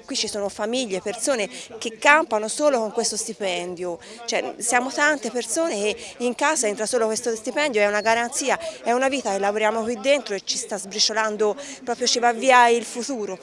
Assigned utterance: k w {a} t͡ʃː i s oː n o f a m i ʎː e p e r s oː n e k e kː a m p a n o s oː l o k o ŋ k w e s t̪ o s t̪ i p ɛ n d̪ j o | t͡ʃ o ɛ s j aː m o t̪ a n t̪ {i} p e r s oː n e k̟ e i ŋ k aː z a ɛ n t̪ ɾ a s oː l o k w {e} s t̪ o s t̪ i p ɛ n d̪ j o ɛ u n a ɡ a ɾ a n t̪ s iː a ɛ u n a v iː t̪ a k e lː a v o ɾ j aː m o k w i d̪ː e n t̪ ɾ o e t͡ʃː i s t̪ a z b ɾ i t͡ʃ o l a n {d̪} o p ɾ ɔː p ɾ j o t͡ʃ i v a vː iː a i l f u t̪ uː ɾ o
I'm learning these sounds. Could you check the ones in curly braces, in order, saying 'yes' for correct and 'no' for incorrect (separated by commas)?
no, no, yes, yes